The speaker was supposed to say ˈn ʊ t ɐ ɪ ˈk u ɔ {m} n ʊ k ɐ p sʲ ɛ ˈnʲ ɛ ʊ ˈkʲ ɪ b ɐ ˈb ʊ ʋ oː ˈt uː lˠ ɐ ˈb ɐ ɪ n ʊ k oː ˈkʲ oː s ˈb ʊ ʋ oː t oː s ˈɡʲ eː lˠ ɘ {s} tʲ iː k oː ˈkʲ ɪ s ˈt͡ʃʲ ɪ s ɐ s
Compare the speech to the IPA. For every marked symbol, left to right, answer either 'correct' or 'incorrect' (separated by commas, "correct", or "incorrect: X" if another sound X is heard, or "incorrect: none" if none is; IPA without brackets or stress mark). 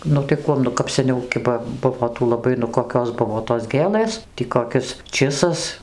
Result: correct, correct